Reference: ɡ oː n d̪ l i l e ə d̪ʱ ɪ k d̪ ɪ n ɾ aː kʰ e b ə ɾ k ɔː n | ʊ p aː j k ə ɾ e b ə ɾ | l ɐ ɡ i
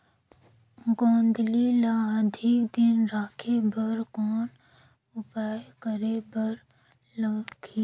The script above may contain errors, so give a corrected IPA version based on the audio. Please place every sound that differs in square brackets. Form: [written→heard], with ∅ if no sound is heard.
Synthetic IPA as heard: ɡ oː n d̪ l i l [e→a] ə d̪ʱ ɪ k d̪ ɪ n ɾ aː kʰ e b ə ɾ k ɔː n | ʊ p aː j k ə ɾ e b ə ɾ | l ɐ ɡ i